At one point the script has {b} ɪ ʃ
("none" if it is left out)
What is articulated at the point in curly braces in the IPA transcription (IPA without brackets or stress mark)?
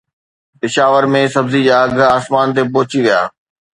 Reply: p